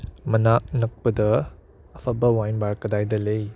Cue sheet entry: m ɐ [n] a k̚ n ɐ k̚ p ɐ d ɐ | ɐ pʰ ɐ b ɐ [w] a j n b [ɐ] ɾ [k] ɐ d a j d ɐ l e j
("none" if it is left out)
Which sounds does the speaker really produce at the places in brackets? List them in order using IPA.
n, w, a, k

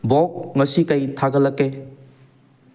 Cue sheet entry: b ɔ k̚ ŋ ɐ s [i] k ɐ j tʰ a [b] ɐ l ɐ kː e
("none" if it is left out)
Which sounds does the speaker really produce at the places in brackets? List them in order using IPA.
i, ɡ

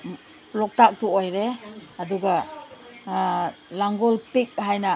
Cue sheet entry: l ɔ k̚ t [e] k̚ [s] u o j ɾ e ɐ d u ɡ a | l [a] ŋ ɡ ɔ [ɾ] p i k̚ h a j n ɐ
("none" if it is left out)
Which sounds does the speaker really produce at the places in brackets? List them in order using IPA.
a, t, a, l

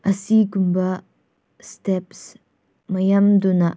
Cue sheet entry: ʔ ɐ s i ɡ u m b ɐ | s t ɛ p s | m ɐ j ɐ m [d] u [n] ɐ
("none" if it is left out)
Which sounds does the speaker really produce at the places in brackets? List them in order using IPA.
d, n

